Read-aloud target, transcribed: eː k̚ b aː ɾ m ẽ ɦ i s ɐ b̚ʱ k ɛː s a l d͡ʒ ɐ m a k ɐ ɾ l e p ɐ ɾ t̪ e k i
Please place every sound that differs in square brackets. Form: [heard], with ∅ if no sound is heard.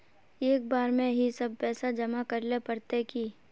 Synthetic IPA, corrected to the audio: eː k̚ b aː ɾ m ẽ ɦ i s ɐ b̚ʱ [p] ɛː s a [∅] d͡ʒ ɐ m a k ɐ ɾ l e p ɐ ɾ t̪ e k i